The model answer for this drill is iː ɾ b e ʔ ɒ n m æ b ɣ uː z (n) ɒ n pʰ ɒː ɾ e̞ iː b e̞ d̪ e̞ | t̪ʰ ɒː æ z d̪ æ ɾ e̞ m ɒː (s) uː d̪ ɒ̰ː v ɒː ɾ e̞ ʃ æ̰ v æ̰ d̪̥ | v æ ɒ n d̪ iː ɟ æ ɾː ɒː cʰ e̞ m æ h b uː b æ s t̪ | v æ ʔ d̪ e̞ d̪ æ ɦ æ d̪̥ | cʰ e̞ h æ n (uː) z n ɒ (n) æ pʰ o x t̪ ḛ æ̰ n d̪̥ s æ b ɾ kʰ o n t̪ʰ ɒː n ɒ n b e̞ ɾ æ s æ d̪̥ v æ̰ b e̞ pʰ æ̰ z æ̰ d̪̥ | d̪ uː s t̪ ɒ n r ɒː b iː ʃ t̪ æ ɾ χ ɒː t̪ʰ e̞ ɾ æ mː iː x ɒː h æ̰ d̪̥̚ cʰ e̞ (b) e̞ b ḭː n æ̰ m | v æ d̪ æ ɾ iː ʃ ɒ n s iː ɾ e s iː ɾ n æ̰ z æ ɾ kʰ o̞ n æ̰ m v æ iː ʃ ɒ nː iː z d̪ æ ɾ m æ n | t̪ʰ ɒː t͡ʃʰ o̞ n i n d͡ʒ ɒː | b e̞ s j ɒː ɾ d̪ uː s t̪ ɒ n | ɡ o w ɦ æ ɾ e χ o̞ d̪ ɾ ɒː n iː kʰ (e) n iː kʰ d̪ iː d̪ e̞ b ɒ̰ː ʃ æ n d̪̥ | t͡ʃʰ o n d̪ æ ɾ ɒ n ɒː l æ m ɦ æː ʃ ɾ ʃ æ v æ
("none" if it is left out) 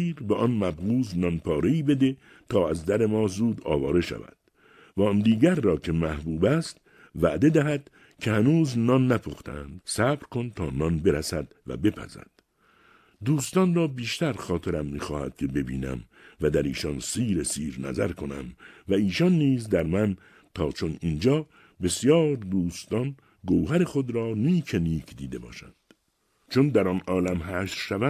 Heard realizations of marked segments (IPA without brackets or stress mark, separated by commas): n, z, uː, nː, b, e